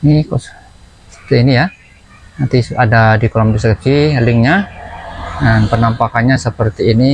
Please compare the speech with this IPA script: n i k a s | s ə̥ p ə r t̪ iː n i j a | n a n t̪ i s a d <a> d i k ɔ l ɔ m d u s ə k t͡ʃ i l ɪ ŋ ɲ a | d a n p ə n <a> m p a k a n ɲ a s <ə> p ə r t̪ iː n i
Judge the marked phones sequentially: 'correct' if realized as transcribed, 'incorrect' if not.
correct, correct, correct

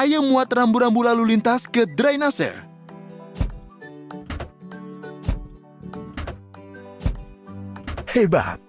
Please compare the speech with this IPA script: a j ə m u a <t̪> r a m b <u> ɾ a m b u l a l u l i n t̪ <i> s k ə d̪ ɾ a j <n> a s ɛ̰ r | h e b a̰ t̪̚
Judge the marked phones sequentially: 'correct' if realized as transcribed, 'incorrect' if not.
correct, correct, incorrect, correct

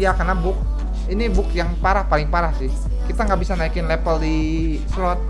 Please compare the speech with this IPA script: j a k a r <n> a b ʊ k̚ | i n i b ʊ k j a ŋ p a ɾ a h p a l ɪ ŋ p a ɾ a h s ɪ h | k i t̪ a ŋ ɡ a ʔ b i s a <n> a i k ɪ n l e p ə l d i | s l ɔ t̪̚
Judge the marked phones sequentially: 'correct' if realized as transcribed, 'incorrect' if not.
correct, correct

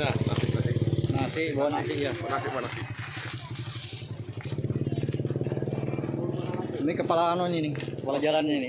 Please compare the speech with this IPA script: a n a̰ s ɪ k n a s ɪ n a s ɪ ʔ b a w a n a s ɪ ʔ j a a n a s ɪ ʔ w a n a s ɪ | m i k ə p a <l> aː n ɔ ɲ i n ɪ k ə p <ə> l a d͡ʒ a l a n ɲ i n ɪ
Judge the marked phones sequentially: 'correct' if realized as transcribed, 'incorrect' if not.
correct, incorrect

